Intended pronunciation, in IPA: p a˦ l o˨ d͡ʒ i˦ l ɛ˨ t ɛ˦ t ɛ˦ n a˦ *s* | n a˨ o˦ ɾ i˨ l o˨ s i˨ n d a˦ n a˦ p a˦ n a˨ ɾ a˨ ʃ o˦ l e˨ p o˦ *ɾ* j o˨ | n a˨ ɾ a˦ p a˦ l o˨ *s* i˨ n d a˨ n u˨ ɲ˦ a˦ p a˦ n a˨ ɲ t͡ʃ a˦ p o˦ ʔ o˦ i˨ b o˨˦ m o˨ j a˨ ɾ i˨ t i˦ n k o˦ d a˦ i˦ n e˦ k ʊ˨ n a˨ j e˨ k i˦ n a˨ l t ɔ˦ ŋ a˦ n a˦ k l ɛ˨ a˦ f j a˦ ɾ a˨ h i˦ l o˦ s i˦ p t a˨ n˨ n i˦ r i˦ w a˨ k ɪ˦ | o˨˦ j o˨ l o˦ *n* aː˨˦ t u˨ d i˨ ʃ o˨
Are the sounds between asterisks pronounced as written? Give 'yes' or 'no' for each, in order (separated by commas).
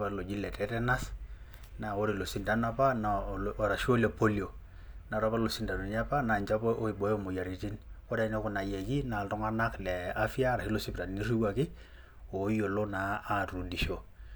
yes, no, yes, yes